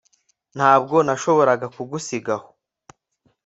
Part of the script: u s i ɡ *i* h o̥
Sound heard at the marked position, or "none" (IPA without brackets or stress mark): a